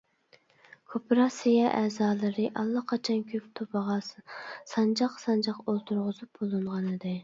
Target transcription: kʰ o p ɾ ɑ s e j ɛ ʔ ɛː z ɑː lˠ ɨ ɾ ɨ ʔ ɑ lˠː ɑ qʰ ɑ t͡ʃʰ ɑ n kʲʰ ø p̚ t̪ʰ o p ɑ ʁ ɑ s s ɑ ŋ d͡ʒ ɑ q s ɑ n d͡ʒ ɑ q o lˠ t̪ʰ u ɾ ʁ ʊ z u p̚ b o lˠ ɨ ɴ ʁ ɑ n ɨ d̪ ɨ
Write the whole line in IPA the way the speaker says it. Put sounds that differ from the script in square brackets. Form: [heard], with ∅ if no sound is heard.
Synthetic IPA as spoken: kʰ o p ɾ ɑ s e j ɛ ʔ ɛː z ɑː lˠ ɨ ɾ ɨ ʔ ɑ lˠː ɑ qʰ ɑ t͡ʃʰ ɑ n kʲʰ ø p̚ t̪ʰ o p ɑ ʁ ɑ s s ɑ [n] d͡ʒ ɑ q s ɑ n d͡ʒ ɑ q o lˠ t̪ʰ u ɾ ʁ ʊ z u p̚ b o lˠ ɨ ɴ ʁ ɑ n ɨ d̪ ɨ